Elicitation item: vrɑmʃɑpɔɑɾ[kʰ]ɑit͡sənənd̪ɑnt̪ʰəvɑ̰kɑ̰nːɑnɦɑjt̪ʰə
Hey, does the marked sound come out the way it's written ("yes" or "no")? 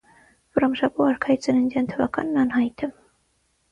yes